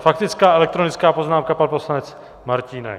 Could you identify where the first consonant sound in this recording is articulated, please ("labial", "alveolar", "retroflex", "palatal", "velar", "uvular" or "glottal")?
labial